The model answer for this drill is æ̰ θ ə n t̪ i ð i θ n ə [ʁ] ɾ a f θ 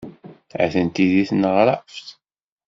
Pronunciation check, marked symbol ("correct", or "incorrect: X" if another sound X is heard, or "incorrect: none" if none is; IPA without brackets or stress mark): correct